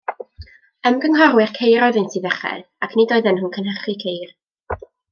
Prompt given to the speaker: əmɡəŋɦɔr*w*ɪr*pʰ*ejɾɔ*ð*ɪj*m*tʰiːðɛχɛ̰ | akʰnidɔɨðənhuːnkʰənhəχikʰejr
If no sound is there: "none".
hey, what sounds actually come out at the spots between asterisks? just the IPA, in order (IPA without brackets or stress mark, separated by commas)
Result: w, kʰ, ð, n